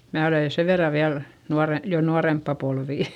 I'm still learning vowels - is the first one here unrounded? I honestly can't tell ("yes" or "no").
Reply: yes